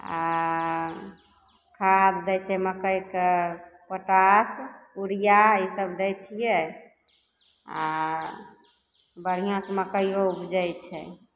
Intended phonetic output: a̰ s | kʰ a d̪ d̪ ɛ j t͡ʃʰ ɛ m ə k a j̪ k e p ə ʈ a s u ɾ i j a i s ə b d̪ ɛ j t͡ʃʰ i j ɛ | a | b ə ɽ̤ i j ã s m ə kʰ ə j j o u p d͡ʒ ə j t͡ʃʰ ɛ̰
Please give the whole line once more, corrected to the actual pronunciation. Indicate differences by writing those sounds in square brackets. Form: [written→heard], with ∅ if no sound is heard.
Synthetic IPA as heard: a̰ [s→∅] | kʰ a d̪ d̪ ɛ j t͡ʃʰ ɛ m ə k [a→ə] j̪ k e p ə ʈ a s u ɾ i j a i s ə b d̪ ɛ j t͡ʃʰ i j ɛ | a | b ə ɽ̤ i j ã s m ə [kʰ→k] ə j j o u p d͡ʒ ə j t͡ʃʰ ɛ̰